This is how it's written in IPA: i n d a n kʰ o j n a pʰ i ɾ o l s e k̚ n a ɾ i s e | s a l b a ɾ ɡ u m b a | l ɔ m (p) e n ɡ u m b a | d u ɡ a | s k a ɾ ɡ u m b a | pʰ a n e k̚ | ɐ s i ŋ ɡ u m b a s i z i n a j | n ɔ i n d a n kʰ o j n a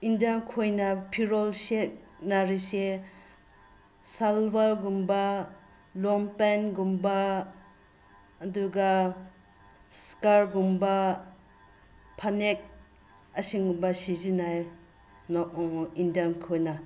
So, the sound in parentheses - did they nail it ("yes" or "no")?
yes